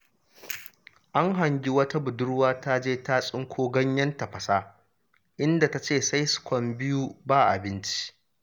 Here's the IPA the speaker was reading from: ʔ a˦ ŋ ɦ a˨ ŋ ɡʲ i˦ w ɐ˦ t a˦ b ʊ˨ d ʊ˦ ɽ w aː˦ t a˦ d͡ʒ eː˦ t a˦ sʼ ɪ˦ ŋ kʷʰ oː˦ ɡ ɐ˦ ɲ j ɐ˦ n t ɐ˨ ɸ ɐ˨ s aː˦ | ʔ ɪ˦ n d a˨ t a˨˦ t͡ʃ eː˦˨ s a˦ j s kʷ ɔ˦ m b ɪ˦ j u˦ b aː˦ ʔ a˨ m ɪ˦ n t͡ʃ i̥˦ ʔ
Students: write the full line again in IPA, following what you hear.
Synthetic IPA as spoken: ʔ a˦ ŋ ɦ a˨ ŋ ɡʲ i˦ w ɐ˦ t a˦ b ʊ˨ d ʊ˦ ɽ w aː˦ t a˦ d͡ʒ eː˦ t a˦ sʼ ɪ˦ ŋ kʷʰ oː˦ ɡ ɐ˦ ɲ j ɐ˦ n t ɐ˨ ɸ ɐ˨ s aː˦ | ʔ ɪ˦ n d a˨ t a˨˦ t͡ʃ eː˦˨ s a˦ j s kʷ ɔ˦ m b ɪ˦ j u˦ b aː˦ ʔ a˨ b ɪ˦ n t͡ʃ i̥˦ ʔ